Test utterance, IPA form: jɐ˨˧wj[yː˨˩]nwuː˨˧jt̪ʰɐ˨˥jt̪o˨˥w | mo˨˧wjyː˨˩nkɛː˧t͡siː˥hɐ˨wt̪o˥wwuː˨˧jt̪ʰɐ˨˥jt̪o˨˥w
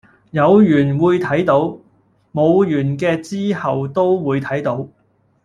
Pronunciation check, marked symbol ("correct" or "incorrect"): correct